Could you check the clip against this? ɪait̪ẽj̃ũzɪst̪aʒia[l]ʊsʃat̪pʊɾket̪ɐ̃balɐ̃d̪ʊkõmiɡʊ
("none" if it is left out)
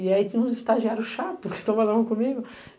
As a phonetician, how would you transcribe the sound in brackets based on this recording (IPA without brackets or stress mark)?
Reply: ɾ